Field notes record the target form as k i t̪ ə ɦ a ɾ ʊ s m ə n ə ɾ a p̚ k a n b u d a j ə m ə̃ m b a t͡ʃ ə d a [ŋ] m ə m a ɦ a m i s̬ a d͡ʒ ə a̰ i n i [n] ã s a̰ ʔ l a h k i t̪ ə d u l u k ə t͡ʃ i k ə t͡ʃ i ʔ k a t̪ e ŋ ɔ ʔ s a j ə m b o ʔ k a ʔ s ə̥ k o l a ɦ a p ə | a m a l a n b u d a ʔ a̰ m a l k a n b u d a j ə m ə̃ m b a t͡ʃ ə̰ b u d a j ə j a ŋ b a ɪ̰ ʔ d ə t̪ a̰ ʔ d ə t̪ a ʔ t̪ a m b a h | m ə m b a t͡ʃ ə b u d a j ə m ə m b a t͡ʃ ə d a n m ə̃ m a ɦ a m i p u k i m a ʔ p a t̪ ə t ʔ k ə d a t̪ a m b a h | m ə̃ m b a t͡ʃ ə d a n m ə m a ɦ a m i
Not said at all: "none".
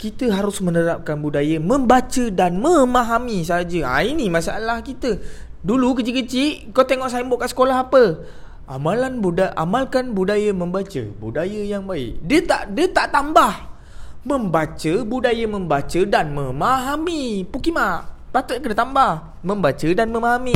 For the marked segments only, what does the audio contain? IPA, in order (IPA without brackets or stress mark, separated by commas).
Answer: n, m